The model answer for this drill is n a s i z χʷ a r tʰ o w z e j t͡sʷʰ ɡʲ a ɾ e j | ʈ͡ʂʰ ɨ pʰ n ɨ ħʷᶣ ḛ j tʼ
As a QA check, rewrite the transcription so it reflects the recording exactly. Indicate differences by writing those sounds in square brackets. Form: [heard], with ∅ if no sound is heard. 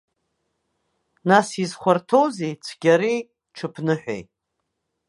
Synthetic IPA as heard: n a s i z χʷ a r tʰ o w z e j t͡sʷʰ ɡʲ a ɾ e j | ʈ͡ʂʰ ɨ pʰ n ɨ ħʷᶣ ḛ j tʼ